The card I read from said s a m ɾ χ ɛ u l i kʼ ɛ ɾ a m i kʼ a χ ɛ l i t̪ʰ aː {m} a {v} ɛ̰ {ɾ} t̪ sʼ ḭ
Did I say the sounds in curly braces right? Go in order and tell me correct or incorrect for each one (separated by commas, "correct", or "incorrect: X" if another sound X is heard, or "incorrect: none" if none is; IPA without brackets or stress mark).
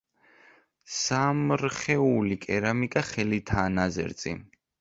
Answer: incorrect: n, incorrect: z, correct